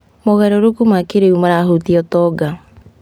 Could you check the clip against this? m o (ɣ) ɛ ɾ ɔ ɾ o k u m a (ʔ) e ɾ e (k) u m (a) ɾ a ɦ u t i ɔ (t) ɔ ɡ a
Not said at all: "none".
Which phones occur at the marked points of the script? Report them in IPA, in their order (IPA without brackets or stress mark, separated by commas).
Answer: ɣ, k, none, a, t